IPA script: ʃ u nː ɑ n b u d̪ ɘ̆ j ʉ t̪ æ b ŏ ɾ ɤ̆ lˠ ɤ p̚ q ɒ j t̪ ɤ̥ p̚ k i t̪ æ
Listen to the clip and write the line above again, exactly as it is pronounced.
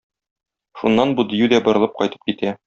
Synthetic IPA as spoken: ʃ u nː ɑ n b u d̪ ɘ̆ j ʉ d̪ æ b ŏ ɾ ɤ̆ lˠ ɤ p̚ q ɒ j t̪ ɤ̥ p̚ k i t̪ æ